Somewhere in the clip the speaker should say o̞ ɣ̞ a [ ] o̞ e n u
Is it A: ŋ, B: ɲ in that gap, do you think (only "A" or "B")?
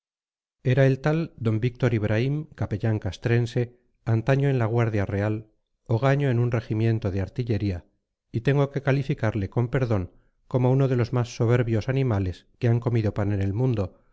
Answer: B